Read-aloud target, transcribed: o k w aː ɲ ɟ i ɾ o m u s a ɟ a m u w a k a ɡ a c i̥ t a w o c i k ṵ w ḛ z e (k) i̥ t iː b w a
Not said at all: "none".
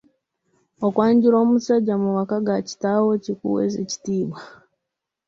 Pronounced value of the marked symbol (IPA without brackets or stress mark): c